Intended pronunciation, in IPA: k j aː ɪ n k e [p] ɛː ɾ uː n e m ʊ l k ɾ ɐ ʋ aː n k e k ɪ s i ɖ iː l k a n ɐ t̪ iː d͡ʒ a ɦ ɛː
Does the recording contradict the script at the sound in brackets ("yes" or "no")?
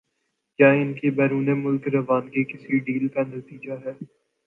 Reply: yes